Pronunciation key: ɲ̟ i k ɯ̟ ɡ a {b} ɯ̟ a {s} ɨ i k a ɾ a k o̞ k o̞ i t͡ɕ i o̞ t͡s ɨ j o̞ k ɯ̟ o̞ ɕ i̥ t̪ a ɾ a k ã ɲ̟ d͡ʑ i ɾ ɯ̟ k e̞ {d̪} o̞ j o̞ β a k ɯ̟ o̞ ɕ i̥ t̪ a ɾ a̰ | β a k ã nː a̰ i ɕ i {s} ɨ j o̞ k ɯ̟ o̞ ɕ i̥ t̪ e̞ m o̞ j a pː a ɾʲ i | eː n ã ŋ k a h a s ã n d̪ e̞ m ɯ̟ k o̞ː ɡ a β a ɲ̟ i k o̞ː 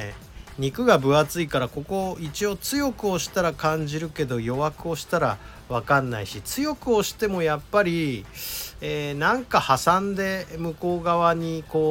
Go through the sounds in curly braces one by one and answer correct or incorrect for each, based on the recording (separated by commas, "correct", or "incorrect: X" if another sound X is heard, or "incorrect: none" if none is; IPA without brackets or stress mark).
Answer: correct, incorrect: t͡s, correct, incorrect: t͡s